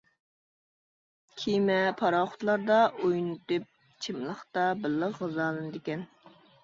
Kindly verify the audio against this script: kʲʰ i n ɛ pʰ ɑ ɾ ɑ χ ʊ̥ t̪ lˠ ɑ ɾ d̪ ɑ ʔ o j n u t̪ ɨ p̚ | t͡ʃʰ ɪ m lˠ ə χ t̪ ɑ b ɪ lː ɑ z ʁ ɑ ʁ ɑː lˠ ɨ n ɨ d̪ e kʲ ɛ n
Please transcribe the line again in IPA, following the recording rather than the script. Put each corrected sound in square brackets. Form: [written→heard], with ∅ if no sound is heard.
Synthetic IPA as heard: kʲʰ i [n→m] ɛ pʰ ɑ ɾ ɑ χ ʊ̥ t̪ lˠ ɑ ɾ d̪ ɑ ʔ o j n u t̪ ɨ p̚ | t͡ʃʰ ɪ m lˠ ə χ t̪ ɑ b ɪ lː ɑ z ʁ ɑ [ʁ→z] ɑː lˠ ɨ n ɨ d̪ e kʲ ɛ n

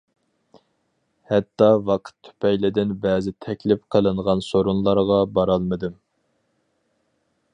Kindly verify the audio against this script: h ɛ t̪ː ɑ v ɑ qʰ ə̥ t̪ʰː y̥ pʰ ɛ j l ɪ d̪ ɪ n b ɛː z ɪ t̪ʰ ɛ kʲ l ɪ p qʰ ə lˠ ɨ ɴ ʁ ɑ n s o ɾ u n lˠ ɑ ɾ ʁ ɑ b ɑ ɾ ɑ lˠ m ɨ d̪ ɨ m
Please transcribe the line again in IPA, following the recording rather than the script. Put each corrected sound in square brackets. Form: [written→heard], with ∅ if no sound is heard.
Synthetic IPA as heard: h ɛ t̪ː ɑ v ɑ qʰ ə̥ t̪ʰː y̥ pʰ ɛ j l ɪ d̪ ɪ n b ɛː z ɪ t̪ʰ ɛ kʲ l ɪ p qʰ ə lˠ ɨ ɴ ʁ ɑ n s o ɾ u n lˠ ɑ ɾ ʁ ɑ b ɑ ɾ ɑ lˠ m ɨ d̪ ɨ m

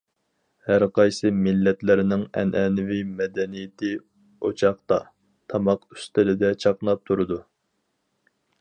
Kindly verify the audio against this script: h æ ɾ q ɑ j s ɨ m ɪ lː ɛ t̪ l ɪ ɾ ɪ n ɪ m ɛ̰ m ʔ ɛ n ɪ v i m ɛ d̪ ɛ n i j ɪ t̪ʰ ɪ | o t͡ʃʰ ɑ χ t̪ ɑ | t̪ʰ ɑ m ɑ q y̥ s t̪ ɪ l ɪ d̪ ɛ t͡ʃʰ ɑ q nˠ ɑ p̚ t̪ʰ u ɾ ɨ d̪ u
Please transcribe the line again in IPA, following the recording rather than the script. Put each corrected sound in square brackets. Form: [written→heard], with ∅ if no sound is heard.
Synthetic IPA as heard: h æ ɾ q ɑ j s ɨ m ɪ lː ɛ t̪ l ɪ ɾ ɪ n ɪ [m→ŋ] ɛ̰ [m→n] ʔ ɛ n ɪ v i m ɛ d̪ ɛ n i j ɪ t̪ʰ ɪ | o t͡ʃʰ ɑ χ t̪ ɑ | t̪ʰ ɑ m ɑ q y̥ s t̪ ɪ l ɪ d̪ ɛ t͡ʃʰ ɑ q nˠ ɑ p̚ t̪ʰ u ɾ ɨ d̪ u

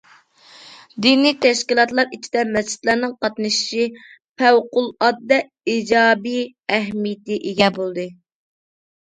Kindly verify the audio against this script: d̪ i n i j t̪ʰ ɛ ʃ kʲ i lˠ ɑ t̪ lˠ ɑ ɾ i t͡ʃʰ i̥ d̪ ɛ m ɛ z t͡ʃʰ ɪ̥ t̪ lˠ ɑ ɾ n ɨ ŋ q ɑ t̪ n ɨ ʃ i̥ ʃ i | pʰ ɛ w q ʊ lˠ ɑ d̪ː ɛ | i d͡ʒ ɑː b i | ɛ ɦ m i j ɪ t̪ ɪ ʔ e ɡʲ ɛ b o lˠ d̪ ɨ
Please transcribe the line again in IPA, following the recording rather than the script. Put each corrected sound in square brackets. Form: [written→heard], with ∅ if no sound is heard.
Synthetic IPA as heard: d̪ i n i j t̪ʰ ɛ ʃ kʲ i lˠ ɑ t̪ lˠ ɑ ɾ i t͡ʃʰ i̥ d̪ ɛ m ɛ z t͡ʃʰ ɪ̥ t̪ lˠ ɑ ɾ n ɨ ŋ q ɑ t̪ n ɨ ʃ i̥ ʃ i | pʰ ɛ w q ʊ lˠ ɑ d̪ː ɛ | i d͡ʒ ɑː b i | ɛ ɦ m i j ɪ t̪ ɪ ʔ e ɡʲ ɛ b o lˠ d̪ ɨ

